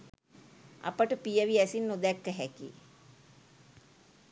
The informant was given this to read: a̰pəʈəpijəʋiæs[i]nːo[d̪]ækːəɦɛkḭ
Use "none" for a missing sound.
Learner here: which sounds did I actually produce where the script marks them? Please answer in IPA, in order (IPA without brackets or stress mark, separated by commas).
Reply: i, d̪